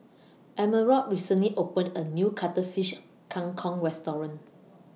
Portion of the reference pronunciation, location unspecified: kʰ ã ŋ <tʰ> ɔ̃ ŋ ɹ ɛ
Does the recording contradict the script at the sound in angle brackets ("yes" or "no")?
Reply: yes